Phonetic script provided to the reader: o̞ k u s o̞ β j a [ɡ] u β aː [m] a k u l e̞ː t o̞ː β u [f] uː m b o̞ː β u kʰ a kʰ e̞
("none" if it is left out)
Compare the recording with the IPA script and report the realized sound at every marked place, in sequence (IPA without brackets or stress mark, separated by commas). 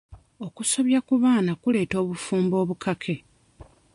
k, n, f